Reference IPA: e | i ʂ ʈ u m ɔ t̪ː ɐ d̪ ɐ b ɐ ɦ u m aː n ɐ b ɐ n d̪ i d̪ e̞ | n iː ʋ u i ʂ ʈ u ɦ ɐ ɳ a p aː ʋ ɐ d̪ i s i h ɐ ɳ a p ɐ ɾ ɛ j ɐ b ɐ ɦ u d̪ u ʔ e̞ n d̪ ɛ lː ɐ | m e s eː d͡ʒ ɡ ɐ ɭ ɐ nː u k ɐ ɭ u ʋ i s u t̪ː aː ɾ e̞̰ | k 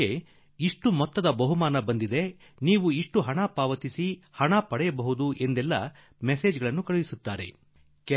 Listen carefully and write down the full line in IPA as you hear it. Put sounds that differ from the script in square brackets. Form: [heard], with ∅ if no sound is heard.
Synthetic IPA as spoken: e | i ʂ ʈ u m ɔ t̪ː ɐ d̪ ɐ b ɐ ɦ u m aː n ɐ b ɐ n d̪ i d̪ e̞ | n iː ʋ u i ʂ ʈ u ɦ ɐ ɳ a p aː ʋ ɐ [t̪] i s i h ɐ ɳ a p ɐ [ɽ] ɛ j ɐ b ɐ ɦ u d̪ u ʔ e̞ n d̪ ɛ lː ɐ | m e s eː d͡ʒ ɡ ɐ ɭ ɐ nː u k ɐ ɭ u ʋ i s u t̪ː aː ɾ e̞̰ | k

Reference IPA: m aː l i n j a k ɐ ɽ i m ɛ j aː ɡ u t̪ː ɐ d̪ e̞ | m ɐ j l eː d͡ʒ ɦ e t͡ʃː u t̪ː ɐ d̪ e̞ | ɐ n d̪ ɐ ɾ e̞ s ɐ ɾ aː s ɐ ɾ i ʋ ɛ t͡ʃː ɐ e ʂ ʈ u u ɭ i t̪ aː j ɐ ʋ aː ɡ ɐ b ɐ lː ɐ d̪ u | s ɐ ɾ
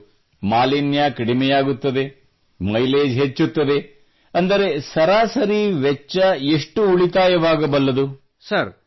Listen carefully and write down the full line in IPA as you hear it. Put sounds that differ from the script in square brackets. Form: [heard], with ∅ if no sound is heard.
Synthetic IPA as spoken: m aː l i n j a k ɐ ɽ i m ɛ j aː ɡ u t̪ː ɐ d̪ e̞ | m ɐ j l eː d͡ʒ ɦ e t͡ʃː u t̪ː ɐ d̪ e̞ | ɐ n d̪ ɐ ɾ e̞ s ɐ ɾ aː s ɐ ɾ i ʋ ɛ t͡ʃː ɐ e ʂ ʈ u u ɭ i t̪ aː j ɐ ʋ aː ɡ ɐ b ɐ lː ɐ d̪ u | s ɐ ɾ

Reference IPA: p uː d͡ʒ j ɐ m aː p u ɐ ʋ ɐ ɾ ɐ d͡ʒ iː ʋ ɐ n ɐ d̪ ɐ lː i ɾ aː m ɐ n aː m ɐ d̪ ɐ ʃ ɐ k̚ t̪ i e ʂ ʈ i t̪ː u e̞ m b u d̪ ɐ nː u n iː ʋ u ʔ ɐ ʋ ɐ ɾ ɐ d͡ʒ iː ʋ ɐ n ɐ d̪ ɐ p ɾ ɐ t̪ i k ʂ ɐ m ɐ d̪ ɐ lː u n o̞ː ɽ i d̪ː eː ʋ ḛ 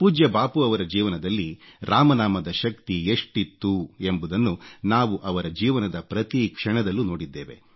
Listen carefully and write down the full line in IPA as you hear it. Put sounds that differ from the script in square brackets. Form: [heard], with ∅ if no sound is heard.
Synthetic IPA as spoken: p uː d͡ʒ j ɐ [b] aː p u ɐ ʋ ɐ ɾ ɐ d͡ʒ iː ʋ ɐ n ɐ d̪ ɐ lː i ɾ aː m ɐ n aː m ɐ d̪ ɐ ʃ ɐ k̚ t̪ i e ʂ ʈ i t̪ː u e̞ m b u d̪ ɐ nː u n [aː] ʋ u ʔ ɐ ʋ ɐ ɾ ɐ d͡ʒ iː ʋ ɐ n ɐ d̪ ɐ p ɾ ɐ t̪ i k ʂ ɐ [ɳ] ɐ d̪ ɐ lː u n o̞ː ɽ i d̪ː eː ʋ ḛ

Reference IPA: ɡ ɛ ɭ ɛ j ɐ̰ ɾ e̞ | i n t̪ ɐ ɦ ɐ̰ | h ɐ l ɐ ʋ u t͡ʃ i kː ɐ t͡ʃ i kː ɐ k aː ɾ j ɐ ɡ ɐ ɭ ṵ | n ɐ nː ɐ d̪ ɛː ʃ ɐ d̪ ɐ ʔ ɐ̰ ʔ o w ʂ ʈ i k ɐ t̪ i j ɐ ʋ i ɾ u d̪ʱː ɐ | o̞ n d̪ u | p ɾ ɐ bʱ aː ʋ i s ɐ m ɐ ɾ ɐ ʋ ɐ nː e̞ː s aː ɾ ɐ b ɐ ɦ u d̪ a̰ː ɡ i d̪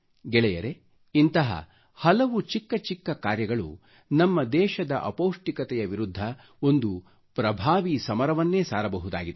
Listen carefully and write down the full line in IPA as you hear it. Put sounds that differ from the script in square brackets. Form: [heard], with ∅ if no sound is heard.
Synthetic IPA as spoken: ɡ ɛ ɭ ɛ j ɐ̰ ɾ e̞ | i n t̪ ɐ ɦ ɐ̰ | h ɐ l ɐ ʋ u t͡ʃ i kː ɐ t͡ʃ i kː ɐ k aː ɾ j ɐ ɡ ɐ ɭ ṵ | n ɐ [mː] ɐ d̪ ɛː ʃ ɐ d̪ ɐ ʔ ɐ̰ [p] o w ʂ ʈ i k ɐ t̪ [ɛ] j ɐ ʋ i ɾ u d̪ʱː ɐ | o̞ n d̪ u | p ɾ ɐ bʱ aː ʋ i s ɐ m ɐ ɾ ɐ ʋ ɐ nː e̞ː s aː ɾ ɐ b ɐ ɦ u d̪ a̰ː ɡ i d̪

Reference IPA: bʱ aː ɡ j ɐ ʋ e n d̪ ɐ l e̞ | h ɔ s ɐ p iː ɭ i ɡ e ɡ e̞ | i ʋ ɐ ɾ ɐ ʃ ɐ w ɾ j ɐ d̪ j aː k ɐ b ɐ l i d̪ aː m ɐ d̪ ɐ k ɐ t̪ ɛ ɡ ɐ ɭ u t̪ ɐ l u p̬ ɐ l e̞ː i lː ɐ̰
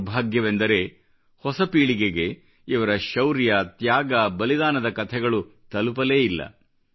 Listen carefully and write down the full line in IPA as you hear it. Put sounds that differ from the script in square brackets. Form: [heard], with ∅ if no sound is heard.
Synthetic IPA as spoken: bʱ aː ɡ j ɐ ʋ e n d̪ ɐ [ɾ] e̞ | h ɔ s ɐ p iː ɭ i ɡ e ɡ e̞ | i ʋ ɐ ɾ ɐ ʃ ɐ w ɾ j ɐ [t̪] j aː [ɡ] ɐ b ɐ l i d̪ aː [n] ɐ d̪ ɐ k ɐ [t̪ʰ] ɛ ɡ ɐ ɭ u t̪ ɐ l u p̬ ɐ l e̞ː i lː ɐ̰

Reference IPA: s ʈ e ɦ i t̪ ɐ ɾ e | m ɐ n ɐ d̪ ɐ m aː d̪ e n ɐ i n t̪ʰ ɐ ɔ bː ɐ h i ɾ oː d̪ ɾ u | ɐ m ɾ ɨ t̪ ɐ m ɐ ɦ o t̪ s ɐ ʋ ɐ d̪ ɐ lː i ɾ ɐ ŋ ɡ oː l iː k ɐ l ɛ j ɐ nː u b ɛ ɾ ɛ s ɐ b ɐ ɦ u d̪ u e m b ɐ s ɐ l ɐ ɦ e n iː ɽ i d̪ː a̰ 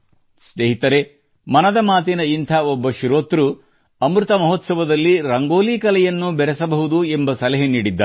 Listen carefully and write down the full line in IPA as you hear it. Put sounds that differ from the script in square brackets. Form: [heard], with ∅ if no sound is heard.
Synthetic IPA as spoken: s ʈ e ɦ i t̪ ɐ ɾ e | m ɐ n ɐ d̪ ɐ m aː [t̪] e n ɐ i n t̪ʰ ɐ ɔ bː ɐ [ʃ] i ɾ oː [t̪] ɾ u | ɐ m ɾ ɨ t̪ ɐ m ɐ ɦ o t̪ s ɐ ʋ ɐ d̪ ɐ lː i ɾ ɐ ŋ ɡ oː l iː k ɐ l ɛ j ɐ nː u b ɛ ɾ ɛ s ɐ b ɐ ɦ u d̪ u e m b ɐ s ɐ l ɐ ɦ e n iː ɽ i d̪ː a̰

